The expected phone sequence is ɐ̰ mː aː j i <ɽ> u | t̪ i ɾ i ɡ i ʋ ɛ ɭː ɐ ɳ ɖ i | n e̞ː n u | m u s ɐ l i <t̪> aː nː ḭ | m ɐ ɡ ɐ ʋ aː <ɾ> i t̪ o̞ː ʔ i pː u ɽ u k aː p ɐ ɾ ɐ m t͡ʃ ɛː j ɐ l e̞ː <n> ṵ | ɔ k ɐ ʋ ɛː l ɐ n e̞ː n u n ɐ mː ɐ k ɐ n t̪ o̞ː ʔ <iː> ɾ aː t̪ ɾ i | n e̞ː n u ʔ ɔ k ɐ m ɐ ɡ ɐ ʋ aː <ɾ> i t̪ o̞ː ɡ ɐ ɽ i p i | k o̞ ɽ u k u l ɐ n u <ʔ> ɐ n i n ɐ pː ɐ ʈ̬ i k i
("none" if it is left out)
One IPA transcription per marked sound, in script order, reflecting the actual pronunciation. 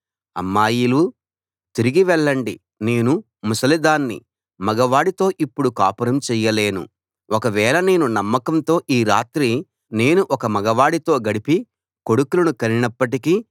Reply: l, d̪, ɽ, n, iː, ɽ, k

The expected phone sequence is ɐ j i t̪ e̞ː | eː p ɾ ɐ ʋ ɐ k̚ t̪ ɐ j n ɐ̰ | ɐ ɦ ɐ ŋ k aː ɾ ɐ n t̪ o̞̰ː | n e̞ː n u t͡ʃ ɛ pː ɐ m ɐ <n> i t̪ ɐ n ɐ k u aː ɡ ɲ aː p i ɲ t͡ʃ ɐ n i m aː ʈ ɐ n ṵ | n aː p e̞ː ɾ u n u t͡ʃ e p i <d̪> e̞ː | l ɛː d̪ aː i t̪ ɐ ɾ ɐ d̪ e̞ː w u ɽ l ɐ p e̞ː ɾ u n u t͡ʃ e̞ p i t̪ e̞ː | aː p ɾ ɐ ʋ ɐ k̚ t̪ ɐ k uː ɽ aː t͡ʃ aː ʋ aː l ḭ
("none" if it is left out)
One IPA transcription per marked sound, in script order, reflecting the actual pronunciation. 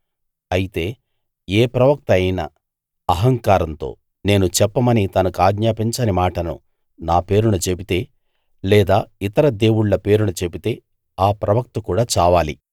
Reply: n, t̪

